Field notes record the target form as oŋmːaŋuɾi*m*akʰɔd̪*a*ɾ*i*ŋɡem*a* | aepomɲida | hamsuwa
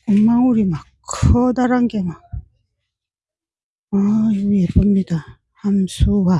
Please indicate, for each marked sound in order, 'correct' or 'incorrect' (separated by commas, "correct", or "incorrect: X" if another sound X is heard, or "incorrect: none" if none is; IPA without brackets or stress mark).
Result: correct, correct, incorrect: a, correct